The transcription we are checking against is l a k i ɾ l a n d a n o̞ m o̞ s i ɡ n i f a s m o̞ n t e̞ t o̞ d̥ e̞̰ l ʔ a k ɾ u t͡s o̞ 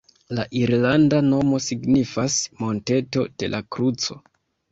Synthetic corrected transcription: l a ʔ i ɾ l a n d a n o̞ m o̞ s i ɡ n i f a s m o̞ n t e̞ t o̞ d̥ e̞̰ l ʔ a k ɾ u t͡s o̞